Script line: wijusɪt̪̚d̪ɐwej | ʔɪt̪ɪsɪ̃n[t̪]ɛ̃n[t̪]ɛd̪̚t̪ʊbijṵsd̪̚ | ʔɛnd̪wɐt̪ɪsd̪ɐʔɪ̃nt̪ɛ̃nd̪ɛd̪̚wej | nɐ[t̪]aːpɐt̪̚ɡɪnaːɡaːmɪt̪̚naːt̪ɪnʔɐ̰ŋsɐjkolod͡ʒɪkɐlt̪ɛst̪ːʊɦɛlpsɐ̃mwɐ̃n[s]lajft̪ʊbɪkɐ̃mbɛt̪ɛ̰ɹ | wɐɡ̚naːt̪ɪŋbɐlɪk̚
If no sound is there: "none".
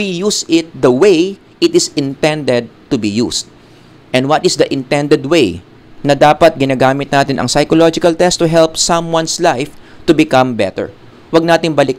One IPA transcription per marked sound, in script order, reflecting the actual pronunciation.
t̪, d̪, d̪, s

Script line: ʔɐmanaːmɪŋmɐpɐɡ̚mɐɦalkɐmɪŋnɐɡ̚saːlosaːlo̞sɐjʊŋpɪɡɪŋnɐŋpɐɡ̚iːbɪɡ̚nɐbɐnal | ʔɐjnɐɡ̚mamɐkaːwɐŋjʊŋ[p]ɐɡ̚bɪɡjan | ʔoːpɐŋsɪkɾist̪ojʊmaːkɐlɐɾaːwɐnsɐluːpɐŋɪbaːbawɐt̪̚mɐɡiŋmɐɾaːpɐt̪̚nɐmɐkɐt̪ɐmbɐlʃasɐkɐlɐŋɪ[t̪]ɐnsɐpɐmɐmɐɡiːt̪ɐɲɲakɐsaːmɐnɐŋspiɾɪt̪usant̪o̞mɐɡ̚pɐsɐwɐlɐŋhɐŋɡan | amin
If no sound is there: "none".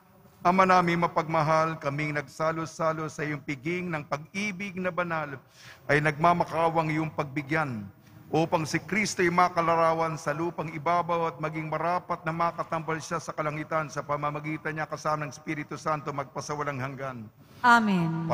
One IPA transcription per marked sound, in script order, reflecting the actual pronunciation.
p, t̪

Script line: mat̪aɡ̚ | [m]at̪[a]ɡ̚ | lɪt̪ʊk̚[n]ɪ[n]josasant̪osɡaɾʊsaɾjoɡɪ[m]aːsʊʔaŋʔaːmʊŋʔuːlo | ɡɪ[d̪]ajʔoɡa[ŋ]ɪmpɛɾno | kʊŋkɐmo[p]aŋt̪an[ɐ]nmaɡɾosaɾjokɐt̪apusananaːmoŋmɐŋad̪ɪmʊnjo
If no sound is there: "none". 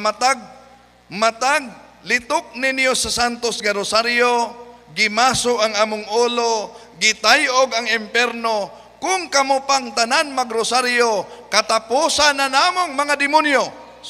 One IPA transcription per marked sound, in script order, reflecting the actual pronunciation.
m, a, n, n, m, t̪, ŋ, p, a

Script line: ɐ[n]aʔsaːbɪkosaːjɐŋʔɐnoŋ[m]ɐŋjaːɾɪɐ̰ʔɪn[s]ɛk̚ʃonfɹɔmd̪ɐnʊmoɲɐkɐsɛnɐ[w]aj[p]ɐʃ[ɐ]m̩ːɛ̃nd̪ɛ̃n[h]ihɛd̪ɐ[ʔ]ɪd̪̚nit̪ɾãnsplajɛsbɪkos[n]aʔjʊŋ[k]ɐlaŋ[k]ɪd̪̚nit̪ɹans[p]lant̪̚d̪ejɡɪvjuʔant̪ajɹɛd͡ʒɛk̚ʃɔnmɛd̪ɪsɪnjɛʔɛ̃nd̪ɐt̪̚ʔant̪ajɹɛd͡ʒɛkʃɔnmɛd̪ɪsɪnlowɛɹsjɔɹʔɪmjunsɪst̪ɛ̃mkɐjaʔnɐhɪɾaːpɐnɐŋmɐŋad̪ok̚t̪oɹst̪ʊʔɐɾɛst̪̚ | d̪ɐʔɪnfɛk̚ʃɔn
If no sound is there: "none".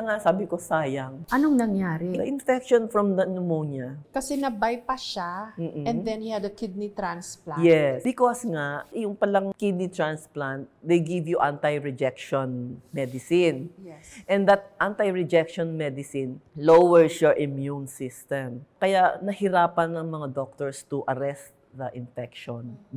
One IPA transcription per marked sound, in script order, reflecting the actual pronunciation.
ŋ, n, f, b, p, a, h, k, ŋ, p, k, p

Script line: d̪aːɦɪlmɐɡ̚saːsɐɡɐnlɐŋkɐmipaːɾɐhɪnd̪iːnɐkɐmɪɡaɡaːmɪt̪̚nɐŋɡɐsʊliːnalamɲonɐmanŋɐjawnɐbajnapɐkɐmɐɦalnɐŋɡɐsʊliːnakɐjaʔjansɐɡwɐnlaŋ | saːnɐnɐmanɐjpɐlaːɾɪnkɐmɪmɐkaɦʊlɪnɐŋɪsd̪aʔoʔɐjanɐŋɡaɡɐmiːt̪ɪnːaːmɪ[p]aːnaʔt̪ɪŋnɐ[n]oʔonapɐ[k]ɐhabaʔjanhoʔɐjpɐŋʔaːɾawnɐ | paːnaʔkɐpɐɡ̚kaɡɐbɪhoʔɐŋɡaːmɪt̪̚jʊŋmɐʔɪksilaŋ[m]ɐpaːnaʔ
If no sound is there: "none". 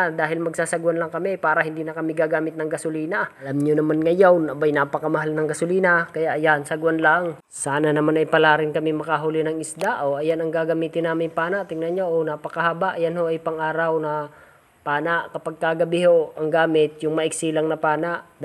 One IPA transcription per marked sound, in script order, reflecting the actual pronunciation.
p, ɲ, k, n

